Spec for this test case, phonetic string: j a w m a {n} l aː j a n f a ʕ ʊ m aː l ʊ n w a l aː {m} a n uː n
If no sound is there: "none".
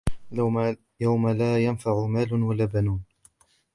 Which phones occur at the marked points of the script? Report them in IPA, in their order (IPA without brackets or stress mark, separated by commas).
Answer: none, b